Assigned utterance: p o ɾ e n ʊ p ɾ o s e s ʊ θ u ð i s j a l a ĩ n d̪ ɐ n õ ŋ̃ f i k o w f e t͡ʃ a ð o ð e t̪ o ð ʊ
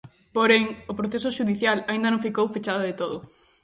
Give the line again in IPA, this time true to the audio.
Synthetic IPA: p o ɾ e ŋ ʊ p ɾ o θ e s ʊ ʃ u ð i θ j a l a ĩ n d̪ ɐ n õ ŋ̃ f i k o w f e t͡ʃ a ð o ð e t̪ o ð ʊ